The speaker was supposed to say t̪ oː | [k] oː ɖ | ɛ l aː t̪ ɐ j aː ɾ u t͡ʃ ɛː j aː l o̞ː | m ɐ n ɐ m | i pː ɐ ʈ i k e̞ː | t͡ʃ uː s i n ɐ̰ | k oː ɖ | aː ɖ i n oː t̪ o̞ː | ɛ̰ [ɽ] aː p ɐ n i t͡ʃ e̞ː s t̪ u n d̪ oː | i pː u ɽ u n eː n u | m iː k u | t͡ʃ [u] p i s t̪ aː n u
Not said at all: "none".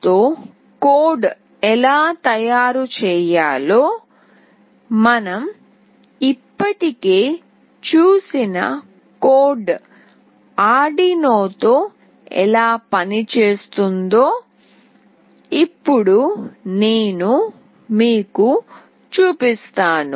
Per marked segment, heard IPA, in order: k, l, uː

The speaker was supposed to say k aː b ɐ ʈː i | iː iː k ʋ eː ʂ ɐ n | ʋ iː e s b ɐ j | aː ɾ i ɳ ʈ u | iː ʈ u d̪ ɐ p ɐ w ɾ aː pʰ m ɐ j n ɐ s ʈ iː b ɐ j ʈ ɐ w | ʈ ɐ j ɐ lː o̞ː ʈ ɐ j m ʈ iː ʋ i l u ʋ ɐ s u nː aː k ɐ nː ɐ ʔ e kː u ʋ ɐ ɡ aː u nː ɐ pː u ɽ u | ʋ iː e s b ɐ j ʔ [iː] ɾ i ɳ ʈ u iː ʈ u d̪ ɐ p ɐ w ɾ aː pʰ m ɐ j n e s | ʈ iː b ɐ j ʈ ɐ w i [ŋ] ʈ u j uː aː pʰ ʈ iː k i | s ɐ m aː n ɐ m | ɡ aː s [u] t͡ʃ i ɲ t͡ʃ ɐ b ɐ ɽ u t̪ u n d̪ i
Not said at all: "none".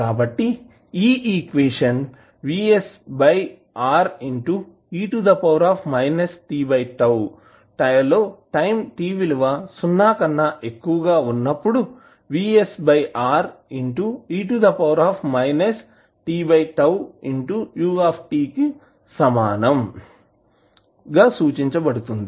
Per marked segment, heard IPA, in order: aː, ɳ, uː

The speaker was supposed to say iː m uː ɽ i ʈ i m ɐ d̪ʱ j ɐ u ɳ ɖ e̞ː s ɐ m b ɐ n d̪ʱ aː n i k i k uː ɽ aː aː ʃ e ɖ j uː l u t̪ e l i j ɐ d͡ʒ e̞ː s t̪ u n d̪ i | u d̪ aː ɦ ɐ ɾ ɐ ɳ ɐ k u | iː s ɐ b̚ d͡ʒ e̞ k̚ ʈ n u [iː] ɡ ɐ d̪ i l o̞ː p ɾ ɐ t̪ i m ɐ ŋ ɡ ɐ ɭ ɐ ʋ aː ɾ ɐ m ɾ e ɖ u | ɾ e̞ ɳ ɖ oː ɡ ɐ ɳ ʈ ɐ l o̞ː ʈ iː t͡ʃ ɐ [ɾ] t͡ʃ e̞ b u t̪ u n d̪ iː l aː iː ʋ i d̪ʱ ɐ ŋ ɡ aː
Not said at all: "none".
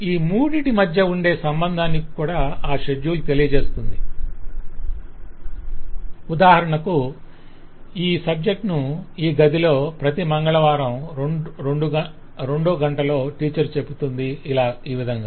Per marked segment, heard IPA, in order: iː, ɾ

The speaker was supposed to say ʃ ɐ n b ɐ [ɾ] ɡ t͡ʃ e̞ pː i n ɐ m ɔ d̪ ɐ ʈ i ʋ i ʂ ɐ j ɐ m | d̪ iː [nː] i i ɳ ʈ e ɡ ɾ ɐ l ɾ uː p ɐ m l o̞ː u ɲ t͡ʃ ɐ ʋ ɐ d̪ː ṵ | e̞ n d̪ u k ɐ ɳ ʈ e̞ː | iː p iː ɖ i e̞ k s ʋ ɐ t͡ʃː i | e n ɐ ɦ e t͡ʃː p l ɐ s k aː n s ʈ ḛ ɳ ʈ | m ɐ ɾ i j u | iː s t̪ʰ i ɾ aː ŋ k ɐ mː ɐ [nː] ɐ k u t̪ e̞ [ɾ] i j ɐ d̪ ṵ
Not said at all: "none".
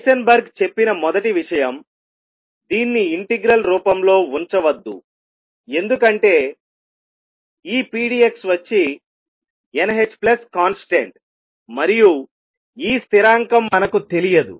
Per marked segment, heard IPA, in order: ɾ, nː, n, l

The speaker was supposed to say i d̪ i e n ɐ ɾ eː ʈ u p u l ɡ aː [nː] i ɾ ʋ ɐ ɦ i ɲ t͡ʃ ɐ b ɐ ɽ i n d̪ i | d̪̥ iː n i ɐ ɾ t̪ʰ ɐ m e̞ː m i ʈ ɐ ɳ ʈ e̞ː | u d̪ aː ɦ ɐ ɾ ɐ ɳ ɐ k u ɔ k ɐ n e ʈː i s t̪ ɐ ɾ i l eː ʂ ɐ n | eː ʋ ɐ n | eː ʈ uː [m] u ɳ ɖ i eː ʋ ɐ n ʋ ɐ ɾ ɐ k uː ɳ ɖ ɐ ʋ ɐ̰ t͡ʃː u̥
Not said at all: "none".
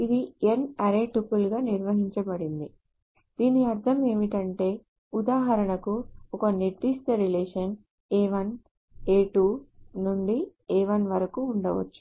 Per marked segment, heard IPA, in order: n, n

